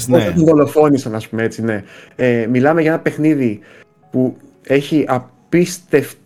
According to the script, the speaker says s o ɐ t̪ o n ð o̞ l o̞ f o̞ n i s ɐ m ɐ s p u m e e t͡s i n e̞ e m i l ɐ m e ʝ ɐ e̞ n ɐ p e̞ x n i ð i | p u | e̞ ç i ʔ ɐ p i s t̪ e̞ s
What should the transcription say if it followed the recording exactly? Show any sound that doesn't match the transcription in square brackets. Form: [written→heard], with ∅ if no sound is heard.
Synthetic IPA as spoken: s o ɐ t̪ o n ð o̞ l o̞ f o̞ n i s ɐ [m→n] ɐ s p u m e e t͡s i n e̞ e m i l ɐ m e ʝ ɐ e̞ n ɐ p e̞ x n i ð i | p u | e̞ ç i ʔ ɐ p i s t̪ e̞ [s→f]